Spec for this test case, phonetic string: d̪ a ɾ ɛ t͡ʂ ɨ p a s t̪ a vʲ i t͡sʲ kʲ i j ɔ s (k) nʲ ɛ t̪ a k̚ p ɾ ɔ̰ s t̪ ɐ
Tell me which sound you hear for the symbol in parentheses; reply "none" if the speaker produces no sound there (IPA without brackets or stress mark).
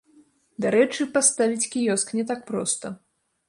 k